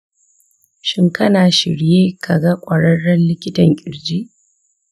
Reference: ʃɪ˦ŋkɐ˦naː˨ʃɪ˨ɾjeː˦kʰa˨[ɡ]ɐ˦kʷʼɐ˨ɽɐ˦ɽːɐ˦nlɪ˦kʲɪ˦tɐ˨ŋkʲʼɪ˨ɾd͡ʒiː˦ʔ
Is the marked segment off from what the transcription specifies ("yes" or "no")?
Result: no